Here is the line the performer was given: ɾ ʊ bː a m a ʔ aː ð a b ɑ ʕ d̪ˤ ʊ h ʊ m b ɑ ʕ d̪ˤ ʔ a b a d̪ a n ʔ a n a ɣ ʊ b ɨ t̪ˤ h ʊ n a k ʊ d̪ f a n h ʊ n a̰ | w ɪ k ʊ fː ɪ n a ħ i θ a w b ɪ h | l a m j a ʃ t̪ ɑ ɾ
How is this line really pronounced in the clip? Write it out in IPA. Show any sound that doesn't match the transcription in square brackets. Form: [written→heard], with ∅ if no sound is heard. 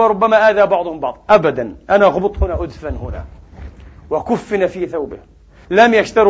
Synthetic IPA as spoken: ɾ ʊ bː a m a ʔ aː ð a b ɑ ʕ d̪ˤ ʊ h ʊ m b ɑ ʕ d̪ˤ ʔ a b a d̪ a n ʔ a n a ɣ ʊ b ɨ t̪ˤ h ʊ n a [k→ʔ] ʊ d̪ f a n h ʊ n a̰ | w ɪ k ʊ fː ɪ n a [ħ→f] i θ a w b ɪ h | l a m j a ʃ t̪ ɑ ɾ